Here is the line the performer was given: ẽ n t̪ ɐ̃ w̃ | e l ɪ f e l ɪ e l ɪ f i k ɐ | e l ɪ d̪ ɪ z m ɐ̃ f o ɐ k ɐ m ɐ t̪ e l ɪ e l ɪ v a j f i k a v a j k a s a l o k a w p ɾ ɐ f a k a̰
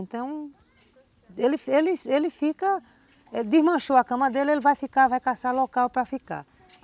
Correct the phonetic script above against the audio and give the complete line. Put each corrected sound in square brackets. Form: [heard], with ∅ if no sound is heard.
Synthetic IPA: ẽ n t̪ ɐ̃ w̃ | e l ɪ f e l ɪ e l ɪ f i k ɐ | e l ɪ d̪ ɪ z m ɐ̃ [ʃ] o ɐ k [ɐ̃] m ɐ [d̪] e l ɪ e l ɪ v a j f i k a v a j k a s a l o k a w p ɾ ɐ f [i] k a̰